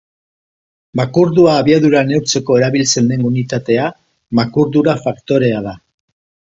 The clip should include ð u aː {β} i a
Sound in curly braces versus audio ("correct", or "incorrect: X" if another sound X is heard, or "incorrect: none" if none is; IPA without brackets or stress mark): correct